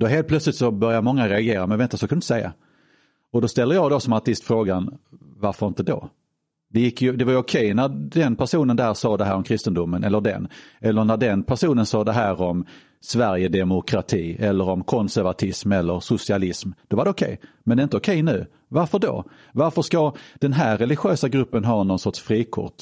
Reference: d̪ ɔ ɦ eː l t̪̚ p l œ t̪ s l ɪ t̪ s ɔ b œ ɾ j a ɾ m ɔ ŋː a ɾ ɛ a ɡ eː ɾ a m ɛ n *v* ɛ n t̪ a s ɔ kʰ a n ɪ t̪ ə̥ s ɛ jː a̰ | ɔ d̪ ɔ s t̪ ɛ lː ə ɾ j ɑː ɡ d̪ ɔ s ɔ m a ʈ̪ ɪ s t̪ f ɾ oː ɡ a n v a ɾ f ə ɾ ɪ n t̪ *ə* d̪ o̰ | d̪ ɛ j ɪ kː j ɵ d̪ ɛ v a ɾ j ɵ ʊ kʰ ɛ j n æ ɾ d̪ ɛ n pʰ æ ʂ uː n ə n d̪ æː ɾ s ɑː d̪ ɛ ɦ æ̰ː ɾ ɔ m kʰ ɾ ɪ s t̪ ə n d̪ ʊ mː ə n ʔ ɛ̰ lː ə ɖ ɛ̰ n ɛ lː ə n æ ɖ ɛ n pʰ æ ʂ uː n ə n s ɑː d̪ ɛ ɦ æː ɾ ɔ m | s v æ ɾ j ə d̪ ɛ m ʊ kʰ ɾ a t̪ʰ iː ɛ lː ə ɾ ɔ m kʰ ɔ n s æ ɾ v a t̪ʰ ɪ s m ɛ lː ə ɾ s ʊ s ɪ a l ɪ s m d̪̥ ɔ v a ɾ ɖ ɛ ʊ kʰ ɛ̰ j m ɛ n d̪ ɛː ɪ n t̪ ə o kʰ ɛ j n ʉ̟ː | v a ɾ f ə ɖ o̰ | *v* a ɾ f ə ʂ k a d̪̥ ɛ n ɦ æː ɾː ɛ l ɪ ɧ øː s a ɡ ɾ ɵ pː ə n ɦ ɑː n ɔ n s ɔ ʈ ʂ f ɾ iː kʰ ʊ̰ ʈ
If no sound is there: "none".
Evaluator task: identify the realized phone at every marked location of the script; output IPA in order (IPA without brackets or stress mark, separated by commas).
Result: v, ə, v